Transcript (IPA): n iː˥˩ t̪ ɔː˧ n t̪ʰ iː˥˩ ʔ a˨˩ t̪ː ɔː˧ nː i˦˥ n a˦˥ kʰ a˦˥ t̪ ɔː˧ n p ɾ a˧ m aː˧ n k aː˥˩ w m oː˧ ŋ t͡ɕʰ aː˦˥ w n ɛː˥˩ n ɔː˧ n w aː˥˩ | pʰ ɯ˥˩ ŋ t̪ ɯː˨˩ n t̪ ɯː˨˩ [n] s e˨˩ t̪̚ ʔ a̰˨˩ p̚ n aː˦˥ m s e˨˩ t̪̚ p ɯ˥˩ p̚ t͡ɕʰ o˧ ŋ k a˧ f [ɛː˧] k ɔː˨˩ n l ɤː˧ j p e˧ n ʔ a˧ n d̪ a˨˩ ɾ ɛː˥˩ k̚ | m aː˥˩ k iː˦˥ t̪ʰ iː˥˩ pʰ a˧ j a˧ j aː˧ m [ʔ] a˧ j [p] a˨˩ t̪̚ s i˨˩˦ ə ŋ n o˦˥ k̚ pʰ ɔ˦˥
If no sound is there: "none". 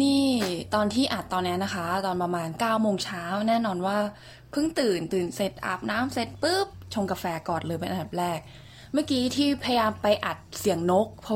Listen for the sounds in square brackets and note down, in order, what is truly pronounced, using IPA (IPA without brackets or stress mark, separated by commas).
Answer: n, ɛː˧, p, ʔ